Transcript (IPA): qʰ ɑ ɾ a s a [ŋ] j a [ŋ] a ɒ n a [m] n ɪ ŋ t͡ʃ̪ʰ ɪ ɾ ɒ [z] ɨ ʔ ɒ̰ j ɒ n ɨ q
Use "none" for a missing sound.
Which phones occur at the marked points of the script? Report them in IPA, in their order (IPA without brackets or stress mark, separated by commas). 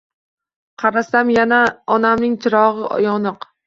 m, n, m, ʁ